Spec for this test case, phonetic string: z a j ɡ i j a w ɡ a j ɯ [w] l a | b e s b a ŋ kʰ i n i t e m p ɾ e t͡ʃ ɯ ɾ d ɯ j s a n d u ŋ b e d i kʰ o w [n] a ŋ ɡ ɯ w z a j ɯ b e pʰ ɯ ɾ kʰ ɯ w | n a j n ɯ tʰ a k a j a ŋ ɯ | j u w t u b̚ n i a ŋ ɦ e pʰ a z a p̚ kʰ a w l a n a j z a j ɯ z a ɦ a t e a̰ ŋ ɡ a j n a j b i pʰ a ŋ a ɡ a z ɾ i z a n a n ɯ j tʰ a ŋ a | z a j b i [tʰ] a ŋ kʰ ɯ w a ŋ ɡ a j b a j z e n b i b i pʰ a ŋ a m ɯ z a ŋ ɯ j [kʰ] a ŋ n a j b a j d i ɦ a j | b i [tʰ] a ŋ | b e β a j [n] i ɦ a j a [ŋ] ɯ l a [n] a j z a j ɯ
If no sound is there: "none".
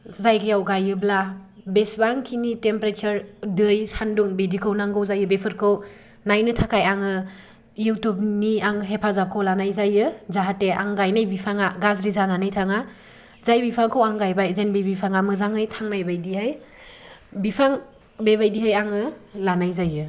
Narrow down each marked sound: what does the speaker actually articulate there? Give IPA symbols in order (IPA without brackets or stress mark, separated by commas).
b, n, pʰ, tʰ, pʰ, d, ŋ, n